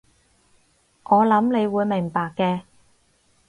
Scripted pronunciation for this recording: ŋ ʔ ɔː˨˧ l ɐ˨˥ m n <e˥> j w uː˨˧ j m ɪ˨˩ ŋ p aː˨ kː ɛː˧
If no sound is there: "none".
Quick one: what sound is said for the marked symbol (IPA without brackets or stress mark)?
e˨˧